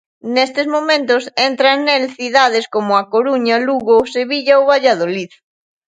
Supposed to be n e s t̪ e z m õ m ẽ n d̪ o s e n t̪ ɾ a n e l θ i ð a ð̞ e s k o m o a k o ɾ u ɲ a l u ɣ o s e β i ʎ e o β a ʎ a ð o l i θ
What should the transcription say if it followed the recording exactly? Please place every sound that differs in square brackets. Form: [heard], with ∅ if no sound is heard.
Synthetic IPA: n e s t̪ e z m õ m ẽ n [t̪] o s e n t̪ ɾ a n e l θ i ð a ð̞ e s k o m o a k o ɾ u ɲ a l u ɣ o s e β i ʎ [a] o β a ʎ a ð o l i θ